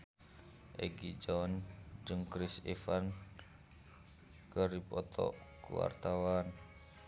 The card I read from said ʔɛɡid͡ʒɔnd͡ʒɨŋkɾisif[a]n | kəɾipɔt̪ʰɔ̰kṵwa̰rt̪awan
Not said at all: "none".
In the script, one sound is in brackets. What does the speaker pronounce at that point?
a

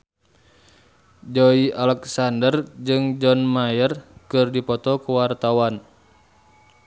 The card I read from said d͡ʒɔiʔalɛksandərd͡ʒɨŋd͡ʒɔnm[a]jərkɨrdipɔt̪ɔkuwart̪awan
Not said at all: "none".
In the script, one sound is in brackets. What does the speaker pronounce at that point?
a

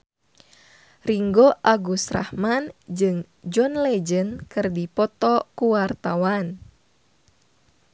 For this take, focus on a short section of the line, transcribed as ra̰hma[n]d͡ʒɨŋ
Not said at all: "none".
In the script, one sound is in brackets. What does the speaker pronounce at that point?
n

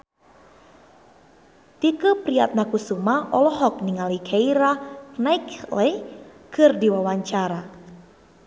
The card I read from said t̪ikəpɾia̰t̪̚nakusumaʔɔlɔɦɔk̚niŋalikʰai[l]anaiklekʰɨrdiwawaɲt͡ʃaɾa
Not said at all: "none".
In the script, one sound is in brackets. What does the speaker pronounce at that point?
ɾ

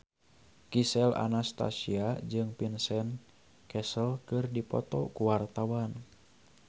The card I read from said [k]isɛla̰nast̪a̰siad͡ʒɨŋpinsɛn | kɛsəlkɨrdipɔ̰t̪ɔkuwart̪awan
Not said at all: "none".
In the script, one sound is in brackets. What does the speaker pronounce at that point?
k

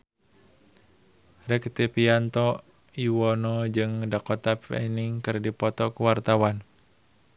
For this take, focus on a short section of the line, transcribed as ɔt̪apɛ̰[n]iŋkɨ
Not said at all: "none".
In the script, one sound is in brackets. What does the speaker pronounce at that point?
n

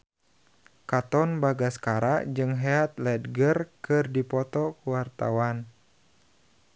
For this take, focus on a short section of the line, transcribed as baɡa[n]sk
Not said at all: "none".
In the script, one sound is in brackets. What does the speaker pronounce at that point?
none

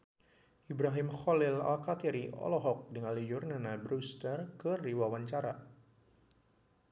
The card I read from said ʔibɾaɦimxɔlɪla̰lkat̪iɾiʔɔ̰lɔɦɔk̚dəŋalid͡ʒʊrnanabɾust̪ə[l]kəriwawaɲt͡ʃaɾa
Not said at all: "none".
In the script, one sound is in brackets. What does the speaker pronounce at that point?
r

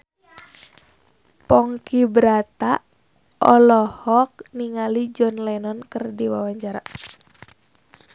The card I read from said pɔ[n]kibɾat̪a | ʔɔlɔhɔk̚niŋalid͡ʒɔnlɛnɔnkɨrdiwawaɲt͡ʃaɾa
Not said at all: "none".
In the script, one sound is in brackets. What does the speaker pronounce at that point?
ŋ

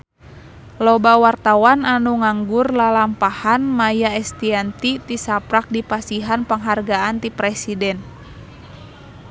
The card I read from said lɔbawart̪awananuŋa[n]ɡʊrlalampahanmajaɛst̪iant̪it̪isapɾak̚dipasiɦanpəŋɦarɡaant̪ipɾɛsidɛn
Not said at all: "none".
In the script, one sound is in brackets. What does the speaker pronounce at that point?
ŋ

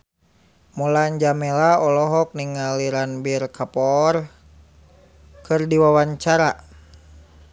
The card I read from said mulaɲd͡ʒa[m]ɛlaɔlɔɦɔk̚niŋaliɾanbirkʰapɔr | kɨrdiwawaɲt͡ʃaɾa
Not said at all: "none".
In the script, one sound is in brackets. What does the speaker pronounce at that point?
m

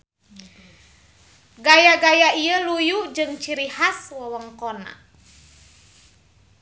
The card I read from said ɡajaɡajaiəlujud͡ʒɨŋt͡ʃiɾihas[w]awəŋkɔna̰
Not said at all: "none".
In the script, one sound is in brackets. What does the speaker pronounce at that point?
w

